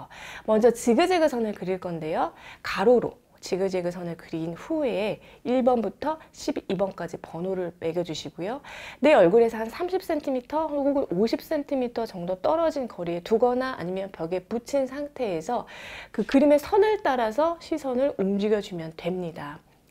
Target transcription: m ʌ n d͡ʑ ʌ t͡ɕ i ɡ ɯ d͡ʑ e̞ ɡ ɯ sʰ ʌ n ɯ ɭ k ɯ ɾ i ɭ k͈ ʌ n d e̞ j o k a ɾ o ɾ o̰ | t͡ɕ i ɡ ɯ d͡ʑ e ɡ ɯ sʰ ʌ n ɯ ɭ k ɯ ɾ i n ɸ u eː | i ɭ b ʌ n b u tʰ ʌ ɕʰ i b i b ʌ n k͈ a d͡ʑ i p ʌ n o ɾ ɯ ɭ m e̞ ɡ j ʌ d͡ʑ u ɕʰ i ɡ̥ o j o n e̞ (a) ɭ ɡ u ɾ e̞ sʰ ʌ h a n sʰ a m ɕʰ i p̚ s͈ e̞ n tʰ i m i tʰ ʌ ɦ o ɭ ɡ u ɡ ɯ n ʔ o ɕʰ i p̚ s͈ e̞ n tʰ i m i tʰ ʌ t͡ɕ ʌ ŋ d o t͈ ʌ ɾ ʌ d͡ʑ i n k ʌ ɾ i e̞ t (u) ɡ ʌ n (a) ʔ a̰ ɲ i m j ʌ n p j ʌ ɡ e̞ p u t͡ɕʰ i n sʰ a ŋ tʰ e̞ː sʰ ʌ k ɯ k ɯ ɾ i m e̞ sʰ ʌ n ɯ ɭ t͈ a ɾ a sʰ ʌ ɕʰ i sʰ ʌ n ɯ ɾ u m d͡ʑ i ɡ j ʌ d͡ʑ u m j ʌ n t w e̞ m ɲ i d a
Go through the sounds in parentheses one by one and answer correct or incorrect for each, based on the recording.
incorrect, correct, correct

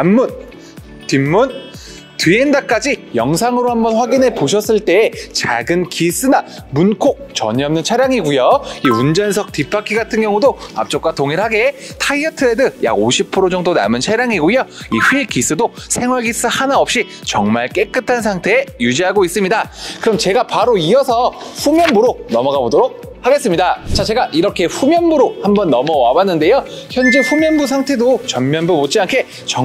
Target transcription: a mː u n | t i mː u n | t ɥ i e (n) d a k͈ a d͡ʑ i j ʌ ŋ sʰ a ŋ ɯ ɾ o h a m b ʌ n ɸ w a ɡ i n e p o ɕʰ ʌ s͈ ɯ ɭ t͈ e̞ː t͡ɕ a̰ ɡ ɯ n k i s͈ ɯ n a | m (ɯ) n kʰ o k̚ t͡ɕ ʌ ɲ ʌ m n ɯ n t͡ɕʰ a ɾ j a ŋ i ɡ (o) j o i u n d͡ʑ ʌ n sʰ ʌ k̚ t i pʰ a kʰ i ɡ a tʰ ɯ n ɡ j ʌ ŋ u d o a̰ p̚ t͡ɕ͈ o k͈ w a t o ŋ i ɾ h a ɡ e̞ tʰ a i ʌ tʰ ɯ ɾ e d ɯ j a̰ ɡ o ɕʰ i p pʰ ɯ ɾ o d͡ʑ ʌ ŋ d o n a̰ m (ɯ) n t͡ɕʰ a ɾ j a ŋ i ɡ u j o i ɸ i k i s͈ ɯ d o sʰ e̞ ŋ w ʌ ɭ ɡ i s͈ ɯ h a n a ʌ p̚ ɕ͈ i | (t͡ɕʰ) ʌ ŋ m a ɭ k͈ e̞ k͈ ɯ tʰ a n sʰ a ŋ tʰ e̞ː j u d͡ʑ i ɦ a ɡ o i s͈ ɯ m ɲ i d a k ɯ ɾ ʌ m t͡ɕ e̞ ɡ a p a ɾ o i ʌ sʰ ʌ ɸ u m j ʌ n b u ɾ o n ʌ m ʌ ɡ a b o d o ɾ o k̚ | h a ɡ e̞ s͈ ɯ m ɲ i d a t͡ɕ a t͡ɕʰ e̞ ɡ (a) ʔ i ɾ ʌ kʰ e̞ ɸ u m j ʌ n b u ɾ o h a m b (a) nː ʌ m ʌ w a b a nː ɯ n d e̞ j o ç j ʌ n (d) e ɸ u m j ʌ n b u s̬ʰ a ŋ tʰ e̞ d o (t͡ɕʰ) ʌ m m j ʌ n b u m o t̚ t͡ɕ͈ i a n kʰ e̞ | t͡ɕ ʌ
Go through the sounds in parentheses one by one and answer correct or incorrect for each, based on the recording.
correct, incorrect, incorrect, correct, incorrect, correct, incorrect, incorrect, incorrect

